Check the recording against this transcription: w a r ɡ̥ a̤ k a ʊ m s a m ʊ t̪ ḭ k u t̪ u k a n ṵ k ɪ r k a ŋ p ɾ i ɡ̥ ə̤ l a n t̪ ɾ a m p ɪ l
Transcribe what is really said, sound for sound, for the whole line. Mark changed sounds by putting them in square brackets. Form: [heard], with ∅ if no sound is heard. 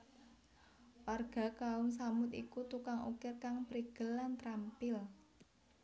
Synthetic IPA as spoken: w a r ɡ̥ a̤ k a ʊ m s a m ʊ t̪ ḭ k u t̪ u k a [ŋ] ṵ k ɪ r k a ŋ p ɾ i ɡ̥ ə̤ l a n t̪ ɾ a m p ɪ l